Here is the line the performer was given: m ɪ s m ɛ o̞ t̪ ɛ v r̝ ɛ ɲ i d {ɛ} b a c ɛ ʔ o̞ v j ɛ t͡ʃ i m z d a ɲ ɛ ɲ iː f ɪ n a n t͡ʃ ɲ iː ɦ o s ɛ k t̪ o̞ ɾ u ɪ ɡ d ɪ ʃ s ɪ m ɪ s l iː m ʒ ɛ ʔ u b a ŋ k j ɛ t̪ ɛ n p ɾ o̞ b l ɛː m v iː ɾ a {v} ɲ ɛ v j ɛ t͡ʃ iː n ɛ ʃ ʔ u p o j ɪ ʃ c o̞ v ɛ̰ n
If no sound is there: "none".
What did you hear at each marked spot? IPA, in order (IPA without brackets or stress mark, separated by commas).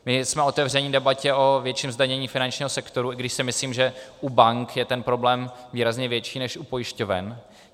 ɛ, z